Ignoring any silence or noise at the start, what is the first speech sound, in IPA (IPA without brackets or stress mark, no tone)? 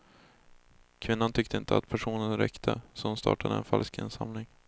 kʰ